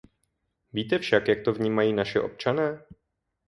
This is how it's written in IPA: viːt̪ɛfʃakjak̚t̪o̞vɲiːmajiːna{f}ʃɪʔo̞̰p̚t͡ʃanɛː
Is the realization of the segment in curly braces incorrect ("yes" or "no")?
yes